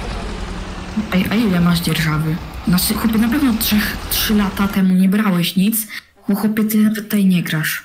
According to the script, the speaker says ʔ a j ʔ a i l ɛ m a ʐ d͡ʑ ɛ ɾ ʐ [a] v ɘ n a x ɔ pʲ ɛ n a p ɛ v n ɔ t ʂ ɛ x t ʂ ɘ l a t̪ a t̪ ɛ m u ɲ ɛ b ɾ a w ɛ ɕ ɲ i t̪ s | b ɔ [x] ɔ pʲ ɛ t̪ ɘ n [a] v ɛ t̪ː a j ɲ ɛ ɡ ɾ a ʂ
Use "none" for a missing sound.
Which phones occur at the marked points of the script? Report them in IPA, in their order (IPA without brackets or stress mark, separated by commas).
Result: a, x, a